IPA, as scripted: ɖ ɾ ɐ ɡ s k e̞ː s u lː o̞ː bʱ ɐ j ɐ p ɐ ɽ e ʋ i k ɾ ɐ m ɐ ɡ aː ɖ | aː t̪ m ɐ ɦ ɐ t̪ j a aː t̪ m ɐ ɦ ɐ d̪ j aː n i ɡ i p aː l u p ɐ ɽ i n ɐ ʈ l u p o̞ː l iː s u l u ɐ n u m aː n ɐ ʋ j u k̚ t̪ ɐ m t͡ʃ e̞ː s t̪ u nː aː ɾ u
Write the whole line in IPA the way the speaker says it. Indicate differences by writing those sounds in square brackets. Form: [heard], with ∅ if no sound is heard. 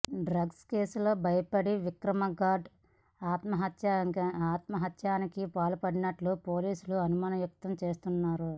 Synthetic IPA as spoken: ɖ ɾ ɐ ɡ s k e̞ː s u [l] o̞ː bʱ ɐ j ɐ p ɐ ɽ [i] ʋ i k ɾ ɐ m ɐ ɡ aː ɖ | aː t̪ m ɐ ɦ ɐ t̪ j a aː t̪ m ɐ ɦ ɐ [t̪] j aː n i [k] i p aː l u p ɐ ɽ i n ɐ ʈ l u p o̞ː l iː s u l u ɐ n u m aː n ɐ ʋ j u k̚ t̪ ɐ m t͡ʃ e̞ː s t̪ u nː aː ɾ u